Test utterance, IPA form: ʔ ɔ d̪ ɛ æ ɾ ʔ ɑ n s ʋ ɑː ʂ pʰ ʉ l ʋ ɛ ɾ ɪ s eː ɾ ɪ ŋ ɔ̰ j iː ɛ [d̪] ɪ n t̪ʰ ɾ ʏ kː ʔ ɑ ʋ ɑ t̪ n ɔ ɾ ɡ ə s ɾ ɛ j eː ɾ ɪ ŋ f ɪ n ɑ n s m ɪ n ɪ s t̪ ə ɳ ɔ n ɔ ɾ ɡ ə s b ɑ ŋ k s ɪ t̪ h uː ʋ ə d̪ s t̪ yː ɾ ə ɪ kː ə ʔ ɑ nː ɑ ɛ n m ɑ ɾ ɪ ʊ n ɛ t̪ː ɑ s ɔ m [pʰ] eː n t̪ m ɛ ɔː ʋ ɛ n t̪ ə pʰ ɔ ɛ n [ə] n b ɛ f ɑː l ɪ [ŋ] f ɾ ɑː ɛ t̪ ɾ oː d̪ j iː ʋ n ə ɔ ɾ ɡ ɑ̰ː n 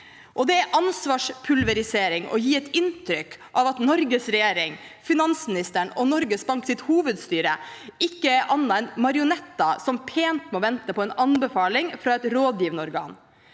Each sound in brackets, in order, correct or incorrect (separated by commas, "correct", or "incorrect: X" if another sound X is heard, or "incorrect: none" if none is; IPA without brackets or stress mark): incorrect: t̪, correct, incorrect: ɑ, correct